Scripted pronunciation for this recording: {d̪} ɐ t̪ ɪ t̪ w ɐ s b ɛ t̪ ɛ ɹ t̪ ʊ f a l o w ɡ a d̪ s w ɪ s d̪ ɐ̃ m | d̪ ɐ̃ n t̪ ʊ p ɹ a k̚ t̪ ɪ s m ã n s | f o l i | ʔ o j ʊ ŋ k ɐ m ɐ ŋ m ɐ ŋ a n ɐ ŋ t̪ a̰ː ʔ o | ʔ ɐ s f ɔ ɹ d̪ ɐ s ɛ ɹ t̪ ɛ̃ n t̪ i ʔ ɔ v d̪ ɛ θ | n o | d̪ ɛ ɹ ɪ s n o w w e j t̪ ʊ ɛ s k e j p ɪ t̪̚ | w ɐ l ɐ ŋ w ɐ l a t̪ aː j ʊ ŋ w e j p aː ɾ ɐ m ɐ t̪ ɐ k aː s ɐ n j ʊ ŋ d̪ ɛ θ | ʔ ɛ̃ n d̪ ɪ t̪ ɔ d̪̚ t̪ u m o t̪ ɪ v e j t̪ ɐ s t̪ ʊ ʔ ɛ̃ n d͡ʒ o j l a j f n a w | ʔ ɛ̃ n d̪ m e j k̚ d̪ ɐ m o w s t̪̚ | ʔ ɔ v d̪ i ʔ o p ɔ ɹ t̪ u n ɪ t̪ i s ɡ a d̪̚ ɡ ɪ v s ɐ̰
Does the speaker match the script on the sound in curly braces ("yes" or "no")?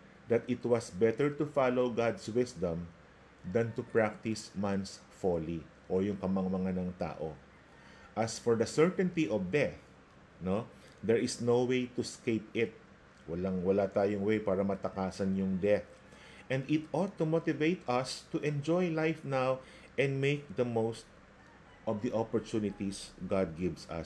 yes